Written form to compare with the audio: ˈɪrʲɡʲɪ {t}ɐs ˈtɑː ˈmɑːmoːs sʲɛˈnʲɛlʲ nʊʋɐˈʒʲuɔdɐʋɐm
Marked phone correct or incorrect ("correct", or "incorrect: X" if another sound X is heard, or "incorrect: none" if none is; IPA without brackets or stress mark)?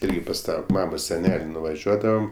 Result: incorrect: p